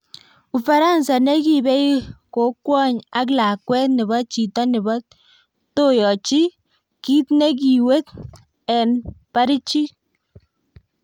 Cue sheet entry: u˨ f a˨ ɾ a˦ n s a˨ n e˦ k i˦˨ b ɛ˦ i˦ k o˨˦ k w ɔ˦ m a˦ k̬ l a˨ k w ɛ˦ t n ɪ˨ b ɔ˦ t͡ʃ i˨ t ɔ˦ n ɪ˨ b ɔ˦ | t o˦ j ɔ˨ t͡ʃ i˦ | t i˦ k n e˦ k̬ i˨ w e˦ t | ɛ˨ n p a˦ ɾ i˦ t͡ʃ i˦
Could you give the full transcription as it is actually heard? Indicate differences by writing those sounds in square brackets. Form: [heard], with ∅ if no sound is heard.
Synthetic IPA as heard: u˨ f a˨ ɾ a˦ n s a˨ n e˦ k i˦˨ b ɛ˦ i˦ k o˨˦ k w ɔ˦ [ɲ] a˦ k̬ l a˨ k w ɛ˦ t n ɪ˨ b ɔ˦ t͡ʃ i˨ t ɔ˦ n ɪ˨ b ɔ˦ | t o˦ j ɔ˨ t͡ʃ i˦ | [k] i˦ [t] n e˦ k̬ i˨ w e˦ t | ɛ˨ n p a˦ ɾ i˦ t͡ʃ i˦